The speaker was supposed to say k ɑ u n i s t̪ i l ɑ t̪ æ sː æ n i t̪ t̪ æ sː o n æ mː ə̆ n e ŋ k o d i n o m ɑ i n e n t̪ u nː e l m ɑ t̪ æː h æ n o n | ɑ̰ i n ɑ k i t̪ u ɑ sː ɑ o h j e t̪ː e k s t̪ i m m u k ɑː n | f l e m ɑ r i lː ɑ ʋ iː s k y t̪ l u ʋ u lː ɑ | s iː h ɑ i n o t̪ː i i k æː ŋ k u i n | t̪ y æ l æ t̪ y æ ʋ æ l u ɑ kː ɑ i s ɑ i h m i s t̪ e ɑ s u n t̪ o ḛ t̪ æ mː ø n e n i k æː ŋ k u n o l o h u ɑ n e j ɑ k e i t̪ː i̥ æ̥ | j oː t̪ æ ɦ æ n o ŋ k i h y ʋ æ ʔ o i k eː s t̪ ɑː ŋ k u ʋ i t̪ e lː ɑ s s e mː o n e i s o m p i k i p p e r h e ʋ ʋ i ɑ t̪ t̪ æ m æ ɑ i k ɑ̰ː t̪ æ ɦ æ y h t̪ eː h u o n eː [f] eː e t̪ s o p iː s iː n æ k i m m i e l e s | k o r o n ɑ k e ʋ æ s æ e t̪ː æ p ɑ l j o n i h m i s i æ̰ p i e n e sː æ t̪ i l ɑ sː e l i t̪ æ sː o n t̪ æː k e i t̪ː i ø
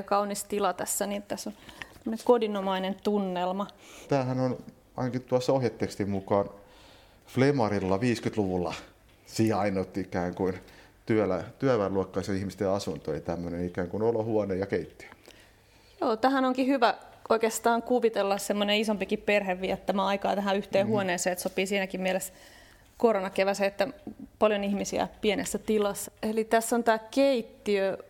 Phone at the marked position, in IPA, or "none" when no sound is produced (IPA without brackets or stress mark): s